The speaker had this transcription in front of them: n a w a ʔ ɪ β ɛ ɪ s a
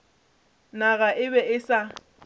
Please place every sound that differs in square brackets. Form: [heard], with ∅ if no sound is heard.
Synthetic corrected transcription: n a [ɣ] a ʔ ɪ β ɛ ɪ s a